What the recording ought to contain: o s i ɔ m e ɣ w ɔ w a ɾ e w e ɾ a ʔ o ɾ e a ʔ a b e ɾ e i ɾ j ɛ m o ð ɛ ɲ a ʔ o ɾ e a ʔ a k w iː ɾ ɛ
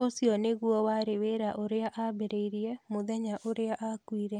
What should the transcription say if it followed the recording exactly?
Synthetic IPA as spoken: o s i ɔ n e ɣ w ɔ w a ɾ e w e ɾ a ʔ o ɾ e a ʔ a b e ɾ e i ɾ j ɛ m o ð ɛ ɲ a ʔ o ɾ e a ʔ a k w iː ɾ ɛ